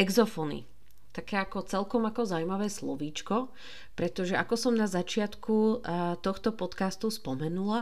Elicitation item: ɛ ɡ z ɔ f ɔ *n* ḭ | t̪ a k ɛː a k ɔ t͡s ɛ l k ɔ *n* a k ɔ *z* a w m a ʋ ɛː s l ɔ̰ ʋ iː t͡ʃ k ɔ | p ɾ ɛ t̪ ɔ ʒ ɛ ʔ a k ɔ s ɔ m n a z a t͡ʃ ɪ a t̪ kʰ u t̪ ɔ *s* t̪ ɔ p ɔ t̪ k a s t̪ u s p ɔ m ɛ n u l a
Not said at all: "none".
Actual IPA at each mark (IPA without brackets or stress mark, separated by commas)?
n, m, z, x